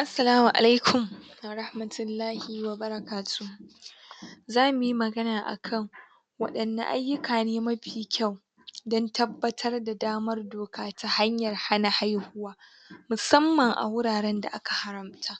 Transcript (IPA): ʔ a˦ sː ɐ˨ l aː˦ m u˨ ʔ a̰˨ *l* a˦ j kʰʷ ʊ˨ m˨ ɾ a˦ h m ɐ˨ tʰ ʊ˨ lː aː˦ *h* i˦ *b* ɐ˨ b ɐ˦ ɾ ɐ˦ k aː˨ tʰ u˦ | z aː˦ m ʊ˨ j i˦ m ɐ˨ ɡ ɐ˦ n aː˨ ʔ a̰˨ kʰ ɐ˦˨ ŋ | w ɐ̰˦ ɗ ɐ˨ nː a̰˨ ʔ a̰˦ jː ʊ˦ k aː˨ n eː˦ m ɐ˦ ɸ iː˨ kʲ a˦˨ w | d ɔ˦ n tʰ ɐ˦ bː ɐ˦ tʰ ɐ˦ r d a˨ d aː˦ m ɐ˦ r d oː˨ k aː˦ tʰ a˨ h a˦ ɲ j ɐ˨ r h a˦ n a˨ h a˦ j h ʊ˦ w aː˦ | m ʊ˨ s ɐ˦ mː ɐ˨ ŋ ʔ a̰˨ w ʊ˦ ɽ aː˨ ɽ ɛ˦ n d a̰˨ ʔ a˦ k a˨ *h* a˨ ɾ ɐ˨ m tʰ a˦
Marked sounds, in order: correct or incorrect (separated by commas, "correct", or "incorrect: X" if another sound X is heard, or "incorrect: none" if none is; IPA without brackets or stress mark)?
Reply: correct, correct, incorrect: w, correct